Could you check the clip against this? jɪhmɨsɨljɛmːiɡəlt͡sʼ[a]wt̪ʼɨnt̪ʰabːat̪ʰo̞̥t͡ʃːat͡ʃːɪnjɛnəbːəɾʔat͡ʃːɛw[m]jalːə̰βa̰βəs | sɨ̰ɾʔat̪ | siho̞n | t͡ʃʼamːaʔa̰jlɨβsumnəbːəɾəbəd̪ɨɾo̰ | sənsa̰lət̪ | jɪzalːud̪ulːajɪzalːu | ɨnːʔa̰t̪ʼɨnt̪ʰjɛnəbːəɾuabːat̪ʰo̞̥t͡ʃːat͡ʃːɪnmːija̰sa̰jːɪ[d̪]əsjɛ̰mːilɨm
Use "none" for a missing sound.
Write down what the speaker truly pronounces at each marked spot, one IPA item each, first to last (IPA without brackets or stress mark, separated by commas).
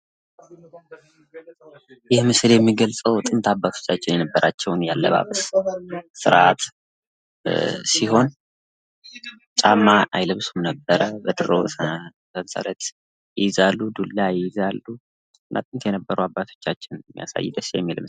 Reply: ə, n, d̪